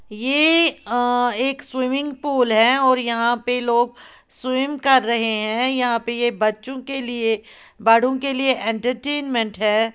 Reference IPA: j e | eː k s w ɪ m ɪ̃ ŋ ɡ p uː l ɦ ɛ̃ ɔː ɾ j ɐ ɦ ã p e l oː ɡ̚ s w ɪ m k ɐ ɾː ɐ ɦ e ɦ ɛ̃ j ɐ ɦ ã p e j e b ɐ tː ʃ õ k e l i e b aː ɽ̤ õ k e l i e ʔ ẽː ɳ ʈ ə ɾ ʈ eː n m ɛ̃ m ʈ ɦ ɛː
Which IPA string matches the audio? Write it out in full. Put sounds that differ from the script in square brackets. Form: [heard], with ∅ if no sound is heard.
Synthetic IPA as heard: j e | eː k s w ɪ m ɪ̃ ŋ ɡ p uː l ɦ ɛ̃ ɔː ɾ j ɐ ɦ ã p e l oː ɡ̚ s w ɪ m k ɐ ɾː ɐ ɦ e ɦ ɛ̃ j ɐ ɦ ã p e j e b ɐ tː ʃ õ k e l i e b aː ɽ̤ õ k e l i e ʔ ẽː ɳ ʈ ə ɾ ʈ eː n m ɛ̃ [ɳ] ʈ ɦ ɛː

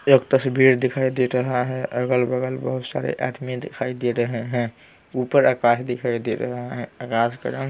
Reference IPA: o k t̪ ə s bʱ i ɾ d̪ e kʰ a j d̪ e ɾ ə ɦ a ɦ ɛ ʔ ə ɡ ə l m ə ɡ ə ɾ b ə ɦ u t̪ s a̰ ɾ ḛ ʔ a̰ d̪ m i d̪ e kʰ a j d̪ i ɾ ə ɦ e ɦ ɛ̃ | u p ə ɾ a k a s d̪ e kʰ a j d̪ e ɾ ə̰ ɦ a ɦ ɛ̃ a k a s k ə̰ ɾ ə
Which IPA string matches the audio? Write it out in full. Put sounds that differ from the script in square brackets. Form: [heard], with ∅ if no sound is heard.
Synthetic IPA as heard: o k t̪ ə s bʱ i ɾ d̪ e kʰ a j d̪ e ɾ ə ɦ a ɦ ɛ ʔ ə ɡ ə l [b] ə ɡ ə [l] b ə ɦ u t̪ s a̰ ɾ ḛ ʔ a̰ d̪ m i d̪ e kʰ a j d̪ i ɾ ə ɦ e ɦ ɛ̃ | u p ə ɾ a k a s d̪ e kʰ a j d̪ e ɾ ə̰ ɦ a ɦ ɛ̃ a k a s k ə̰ ɾ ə

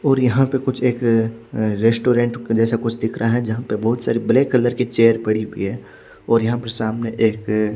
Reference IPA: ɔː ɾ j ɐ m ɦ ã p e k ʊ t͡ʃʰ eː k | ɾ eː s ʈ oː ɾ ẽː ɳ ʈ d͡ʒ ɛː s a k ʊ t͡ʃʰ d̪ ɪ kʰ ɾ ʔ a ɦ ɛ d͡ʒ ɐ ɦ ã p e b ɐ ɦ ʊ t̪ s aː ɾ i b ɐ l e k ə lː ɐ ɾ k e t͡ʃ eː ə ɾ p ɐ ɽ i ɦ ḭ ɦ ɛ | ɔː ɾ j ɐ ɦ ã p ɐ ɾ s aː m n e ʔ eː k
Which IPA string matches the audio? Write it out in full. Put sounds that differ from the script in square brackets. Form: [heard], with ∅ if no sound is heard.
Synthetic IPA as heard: ɔː ɾ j ɐ [∅] ɦ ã p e k ʊ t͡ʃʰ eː k | ɾ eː s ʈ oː ɾ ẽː ɳ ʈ d͡ʒ ɛː s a k ʊ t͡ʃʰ d̪ ɪ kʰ ɾ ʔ a ɦ ɛ d͡ʒ ɐ ɦ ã p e b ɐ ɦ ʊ t̪ s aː ɾ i b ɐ l e k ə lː [ə] ɾ k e t͡ʃ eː ə ɾ p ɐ ɽ i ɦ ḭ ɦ ɛ | ɔː ɾ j ɐ ɦ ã p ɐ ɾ s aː m n e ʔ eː k

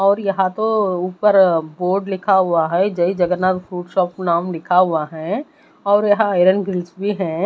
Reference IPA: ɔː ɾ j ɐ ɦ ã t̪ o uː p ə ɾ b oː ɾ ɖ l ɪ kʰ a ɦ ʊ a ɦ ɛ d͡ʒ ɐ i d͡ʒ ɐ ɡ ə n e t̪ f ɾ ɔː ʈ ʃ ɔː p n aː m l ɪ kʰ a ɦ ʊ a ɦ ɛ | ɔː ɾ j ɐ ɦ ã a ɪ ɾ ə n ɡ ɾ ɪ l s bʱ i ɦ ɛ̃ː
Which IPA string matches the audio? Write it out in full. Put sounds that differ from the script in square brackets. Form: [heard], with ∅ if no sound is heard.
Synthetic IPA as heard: ɔː ɾ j ɐ ɦ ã t̪ o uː p ə ɾ b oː ɾ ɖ l ɪ kʰ a ɦ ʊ a ɦ ɛ d͡ʒ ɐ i d͡ʒ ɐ ɡ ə n [a] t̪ f ɾ [uː] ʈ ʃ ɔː p n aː m l ɪ kʰ a ɦ ʊ a ɦ ɛ | ɔː ɾ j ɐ ɦ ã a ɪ ɾ ə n ɡ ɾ ɪ l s bʱ i ɦ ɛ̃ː

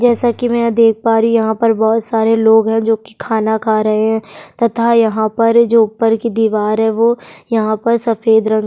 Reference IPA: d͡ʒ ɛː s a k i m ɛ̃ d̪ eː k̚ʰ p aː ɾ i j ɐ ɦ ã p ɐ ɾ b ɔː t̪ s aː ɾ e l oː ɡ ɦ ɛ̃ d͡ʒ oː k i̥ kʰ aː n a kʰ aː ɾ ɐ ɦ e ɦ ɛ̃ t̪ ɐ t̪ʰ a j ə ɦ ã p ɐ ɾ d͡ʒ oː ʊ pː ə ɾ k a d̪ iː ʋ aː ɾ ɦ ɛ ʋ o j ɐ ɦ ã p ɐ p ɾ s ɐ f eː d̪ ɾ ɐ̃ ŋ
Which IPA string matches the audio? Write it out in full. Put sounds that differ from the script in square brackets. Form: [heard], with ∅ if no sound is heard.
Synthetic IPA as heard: d͡ʒ ɛː s a k i m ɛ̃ d̪ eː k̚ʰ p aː ɾ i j ɐ ɦ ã p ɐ ɾ b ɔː t̪ s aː ɾ e l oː ɡ ɦ ɛ̃ d͡ʒ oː k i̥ kʰ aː n a kʰ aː ɾ ɐ ɦ e ɦ ɛ̃ t̪ ɐ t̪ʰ a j [ɐ] ɦ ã p ɐ ɾ d͡ʒ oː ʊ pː ə ɾ k [i] d̪ iː ʋ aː ɾ ɦ ɛ ʋ o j ɐ ɦ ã p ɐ [∅] ɾ s ɐ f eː d̪ ɾ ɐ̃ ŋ

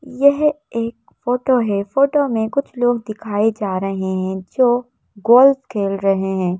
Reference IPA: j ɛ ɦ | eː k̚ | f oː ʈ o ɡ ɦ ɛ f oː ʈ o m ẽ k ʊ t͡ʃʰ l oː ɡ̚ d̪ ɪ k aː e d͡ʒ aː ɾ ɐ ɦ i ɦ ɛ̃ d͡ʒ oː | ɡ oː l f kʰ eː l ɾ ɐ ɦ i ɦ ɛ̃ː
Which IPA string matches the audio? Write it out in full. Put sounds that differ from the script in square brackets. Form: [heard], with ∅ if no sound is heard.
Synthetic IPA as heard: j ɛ ɦ | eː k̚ | f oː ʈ o [∅] ɦ ɛ f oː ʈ o m ẽ k ʊ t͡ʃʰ l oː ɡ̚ d̪ ɪ [kʰ] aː e d͡ʒ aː ɾ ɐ ɦ [e] ɦ ɛ̃ d͡ʒ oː | ɡ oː l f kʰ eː l ɾ ɐ ɦ [e] ɦ ɛ̃ː

